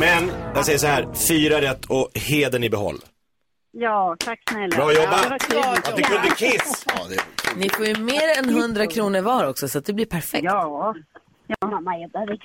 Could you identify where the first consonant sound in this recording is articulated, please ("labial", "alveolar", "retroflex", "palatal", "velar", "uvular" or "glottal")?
labial